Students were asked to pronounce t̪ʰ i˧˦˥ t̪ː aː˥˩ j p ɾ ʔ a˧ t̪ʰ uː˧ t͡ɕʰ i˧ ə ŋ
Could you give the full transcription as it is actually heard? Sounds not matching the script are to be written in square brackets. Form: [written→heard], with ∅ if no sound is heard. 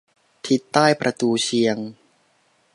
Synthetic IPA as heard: t̪ʰ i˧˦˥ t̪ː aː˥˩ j p ɾ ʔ a˧ [t̪ʰ→t̪] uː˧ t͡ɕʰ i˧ ə ŋ